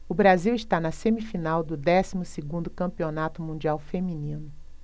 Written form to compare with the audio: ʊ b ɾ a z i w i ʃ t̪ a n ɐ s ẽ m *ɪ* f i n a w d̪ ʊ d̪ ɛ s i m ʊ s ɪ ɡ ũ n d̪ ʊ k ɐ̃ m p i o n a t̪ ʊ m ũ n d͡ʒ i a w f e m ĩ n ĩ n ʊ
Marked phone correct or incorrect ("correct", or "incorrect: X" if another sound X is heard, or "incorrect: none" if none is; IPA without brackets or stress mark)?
incorrect: i